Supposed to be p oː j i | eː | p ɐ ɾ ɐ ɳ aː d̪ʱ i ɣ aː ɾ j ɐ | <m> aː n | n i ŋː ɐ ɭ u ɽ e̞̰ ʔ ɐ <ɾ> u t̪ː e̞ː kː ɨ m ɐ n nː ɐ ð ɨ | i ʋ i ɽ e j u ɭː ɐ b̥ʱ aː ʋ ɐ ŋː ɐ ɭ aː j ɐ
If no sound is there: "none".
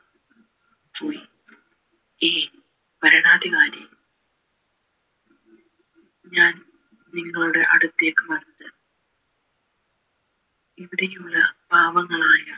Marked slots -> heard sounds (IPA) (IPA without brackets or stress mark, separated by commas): ɲ, ɽ